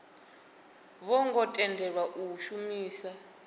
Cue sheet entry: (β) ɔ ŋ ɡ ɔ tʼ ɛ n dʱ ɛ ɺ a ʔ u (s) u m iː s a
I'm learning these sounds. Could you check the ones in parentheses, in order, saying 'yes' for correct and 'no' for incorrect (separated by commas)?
yes, no